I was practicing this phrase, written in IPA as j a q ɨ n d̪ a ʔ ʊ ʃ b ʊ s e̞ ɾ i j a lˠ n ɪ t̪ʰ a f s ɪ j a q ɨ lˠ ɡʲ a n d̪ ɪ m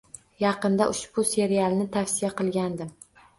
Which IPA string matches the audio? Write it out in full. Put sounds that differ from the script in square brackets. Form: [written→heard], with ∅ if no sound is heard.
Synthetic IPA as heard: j [a→ɑ] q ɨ n d̪ a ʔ ʊ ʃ b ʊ s e̞ ɾ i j a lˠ n ɪ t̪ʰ a f s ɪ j a q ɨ lˠ ɡʲ a n d̪ ɪ m